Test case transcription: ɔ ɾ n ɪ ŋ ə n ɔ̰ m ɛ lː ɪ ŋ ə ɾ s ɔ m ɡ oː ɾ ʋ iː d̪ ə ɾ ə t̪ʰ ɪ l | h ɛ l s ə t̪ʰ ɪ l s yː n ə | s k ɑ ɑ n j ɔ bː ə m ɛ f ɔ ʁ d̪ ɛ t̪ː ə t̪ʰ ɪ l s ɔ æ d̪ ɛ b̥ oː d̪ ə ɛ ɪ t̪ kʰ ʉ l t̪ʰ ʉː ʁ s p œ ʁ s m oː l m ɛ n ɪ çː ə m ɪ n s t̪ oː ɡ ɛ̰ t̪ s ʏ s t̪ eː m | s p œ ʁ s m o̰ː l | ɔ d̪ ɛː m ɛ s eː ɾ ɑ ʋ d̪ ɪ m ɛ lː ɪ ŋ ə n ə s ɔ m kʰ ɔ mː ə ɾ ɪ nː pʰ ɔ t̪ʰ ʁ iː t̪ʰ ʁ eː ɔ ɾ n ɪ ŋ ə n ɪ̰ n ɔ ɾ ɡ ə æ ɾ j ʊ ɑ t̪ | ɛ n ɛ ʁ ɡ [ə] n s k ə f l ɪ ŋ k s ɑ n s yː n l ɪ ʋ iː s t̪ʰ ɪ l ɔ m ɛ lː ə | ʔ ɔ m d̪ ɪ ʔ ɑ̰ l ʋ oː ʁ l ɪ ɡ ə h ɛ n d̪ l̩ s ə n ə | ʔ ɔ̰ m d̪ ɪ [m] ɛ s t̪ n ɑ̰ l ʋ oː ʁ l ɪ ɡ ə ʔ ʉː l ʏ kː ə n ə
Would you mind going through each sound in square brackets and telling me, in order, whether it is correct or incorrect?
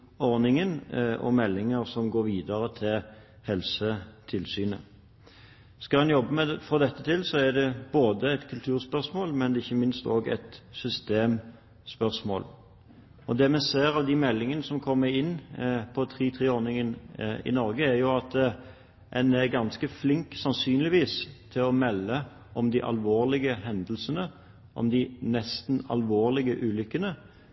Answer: incorrect: ɑ, incorrect: n

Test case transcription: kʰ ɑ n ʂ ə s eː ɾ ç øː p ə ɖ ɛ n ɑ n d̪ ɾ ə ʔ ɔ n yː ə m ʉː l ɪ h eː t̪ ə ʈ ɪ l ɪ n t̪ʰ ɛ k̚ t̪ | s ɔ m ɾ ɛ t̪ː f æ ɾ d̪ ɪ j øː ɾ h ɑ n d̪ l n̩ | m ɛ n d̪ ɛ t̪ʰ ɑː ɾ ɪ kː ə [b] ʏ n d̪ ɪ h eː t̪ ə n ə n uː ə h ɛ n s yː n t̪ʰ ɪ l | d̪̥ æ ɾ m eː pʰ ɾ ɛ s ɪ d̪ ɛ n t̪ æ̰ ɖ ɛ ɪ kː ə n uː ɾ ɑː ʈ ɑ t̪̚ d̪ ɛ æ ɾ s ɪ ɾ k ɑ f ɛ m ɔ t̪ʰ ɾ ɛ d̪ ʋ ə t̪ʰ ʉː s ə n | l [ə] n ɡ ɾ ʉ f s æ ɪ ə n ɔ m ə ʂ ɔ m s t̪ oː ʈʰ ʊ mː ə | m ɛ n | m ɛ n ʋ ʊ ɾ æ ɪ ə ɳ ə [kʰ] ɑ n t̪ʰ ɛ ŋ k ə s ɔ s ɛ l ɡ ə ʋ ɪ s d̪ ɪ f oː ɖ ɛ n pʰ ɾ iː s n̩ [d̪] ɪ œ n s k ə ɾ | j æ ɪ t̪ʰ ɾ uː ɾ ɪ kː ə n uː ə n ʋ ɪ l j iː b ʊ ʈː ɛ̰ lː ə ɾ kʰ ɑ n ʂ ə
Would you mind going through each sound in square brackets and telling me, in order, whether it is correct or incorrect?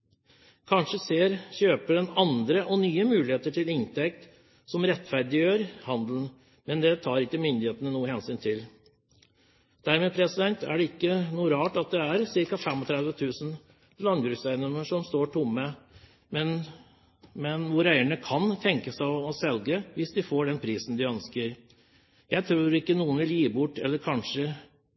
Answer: incorrect: m, incorrect: ɑ, correct, correct

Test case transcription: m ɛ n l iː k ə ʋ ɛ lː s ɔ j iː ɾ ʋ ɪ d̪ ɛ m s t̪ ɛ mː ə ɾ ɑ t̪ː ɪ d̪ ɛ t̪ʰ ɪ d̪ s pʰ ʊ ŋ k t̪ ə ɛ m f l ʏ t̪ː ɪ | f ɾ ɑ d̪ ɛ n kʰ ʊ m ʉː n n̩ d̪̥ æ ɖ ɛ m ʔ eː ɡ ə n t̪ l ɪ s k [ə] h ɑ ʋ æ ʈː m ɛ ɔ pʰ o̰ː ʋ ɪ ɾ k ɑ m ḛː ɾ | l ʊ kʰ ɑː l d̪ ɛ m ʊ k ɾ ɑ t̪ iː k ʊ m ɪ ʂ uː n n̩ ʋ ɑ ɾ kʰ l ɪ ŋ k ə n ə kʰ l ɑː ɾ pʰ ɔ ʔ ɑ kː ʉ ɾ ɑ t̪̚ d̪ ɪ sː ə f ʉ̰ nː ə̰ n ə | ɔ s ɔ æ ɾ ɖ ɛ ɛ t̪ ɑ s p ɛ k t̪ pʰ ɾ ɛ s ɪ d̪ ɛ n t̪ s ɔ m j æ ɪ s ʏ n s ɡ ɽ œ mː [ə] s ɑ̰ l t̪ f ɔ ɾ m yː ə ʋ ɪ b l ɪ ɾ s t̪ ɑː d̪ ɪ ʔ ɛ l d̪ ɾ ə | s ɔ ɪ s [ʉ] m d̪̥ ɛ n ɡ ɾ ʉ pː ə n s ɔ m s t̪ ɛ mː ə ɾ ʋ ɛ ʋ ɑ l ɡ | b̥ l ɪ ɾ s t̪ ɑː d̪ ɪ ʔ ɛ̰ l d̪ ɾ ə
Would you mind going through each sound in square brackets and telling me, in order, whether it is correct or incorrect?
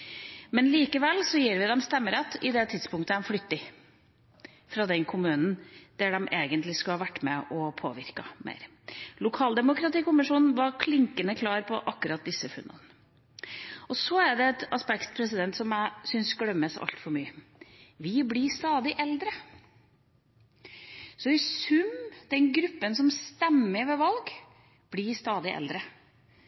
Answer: incorrect: ɑ, correct, correct

